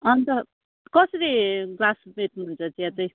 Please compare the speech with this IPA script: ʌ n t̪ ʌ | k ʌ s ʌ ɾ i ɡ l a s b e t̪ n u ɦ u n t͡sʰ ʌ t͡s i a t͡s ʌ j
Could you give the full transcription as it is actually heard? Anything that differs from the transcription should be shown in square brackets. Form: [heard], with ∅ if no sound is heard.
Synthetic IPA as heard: ʌ n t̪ ʌ | k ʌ s ʌ ɾ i ɡ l a s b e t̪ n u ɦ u n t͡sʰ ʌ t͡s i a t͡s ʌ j